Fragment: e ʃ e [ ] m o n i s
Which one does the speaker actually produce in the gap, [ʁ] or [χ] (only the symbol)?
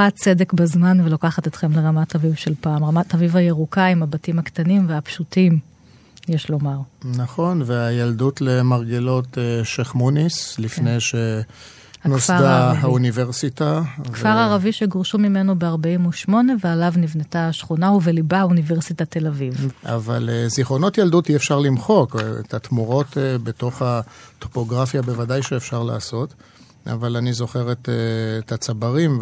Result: χ